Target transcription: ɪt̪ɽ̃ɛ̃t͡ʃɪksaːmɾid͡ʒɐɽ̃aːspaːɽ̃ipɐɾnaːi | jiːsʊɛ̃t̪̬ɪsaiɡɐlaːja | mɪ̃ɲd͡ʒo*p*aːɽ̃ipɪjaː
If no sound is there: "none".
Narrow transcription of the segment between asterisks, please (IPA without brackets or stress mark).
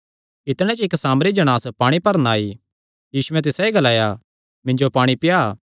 p